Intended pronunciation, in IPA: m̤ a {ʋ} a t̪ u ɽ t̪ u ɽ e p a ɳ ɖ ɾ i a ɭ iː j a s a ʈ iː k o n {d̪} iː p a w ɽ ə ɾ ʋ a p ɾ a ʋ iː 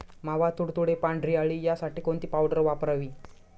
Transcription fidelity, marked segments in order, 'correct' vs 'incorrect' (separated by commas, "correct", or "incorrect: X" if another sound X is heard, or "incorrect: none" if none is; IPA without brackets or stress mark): correct, incorrect: t̪